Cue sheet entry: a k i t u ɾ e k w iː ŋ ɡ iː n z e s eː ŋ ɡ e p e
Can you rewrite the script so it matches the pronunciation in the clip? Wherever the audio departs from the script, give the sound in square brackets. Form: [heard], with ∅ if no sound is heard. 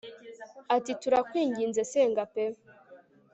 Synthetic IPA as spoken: a [t] i t u ɾ [a] k w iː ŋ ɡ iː n z e s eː ŋ ɡ [a] p e